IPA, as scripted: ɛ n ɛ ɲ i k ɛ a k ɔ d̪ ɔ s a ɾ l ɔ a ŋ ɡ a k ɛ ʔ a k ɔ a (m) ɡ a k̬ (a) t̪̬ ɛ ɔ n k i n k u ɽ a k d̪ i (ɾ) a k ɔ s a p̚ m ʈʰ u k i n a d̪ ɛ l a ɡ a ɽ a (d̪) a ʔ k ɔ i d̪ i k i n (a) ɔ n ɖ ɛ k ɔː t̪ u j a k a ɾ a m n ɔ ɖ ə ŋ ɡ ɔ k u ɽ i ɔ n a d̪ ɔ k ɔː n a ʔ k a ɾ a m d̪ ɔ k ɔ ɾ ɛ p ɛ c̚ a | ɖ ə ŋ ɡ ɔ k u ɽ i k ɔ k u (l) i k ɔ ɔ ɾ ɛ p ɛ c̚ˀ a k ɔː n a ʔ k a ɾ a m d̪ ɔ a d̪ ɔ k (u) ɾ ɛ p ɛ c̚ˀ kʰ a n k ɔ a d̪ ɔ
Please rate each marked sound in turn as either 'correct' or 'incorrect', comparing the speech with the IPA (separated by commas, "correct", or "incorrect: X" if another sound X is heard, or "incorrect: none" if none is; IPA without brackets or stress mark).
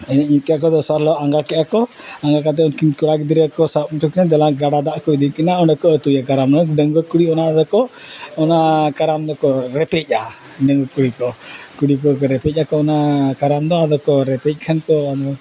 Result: incorrect: ŋ, correct, correct, correct, correct, incorrect: ɽ, incorrect: ɔ